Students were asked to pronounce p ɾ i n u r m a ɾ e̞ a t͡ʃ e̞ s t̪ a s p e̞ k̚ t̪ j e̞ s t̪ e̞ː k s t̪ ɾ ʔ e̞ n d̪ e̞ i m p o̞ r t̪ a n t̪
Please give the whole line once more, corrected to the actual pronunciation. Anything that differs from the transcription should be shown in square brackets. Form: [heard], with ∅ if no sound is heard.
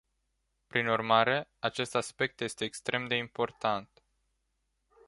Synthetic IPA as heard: p ɾ i n u r m a ɾ e̞ a t͡ʃ e̞ s t̪ a s p e̞ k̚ t̪ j e̞ s t̪ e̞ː k s t̪ ɾ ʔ e̞ [m] d̪ e̞ i m p o̞ r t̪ a n t̪